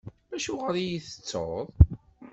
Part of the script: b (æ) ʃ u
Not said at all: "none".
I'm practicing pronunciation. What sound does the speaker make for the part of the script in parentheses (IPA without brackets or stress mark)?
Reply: æ